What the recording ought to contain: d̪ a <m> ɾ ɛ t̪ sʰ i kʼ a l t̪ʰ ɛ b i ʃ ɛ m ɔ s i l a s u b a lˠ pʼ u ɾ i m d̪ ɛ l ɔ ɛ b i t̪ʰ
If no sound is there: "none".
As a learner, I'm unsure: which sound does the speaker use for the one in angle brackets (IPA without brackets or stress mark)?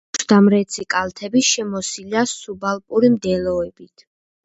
m